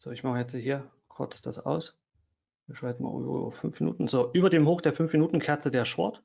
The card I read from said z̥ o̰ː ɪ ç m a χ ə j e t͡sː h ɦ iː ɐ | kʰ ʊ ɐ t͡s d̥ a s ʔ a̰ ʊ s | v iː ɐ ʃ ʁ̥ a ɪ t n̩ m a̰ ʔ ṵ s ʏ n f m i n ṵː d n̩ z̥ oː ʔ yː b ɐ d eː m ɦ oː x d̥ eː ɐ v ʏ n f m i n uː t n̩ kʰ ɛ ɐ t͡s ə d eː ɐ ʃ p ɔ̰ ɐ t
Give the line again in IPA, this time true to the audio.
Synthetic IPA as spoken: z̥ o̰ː ɪ ç m a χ ə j ɛ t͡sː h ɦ iː ɐ | kʰ ʊ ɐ t͡s d̥ a s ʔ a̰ ʊ s | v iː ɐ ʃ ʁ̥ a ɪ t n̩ m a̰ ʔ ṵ f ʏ n f m i n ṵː t n̩ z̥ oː ʔ yː b ɐ d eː m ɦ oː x d̥ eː ɐ f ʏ n f m i n uː t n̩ kʰ ɛ ɐ t͡s ə d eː ɐ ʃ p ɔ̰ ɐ t